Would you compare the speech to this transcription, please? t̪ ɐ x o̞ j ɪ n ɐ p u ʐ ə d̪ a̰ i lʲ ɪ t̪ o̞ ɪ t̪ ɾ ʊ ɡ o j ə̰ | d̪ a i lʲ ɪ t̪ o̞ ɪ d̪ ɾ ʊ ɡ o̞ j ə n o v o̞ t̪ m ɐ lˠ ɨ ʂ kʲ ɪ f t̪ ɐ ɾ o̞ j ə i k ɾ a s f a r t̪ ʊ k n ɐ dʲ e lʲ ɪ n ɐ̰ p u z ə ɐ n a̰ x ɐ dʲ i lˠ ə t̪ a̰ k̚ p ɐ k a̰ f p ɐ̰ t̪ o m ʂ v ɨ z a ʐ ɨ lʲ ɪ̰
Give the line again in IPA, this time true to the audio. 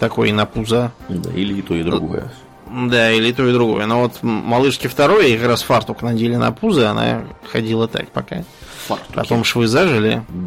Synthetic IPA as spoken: t̪ ɐ k o̞ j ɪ n ɐ p u z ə d̪ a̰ i lʲ ɪ t̪ o̞ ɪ d̪ ɾ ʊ ɡ o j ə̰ | d̪ a i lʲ ɪ t̪ o̞ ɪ d̪ ɾ ʊ ɡ o̞ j ə n o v o̞ t̪ m ɐ lˠ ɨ ʂ kʲ ɪ f t̪ ɐ ɾ o̞ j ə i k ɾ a s f a r t̪ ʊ k n ɐ dʲ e lʲ ɪ n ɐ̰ p u z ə ɐ n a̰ x ɐ dʲ i lˠ ə t̪ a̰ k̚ p ɐ k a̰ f p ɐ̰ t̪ o m ʂ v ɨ z a ʐ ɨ lʲ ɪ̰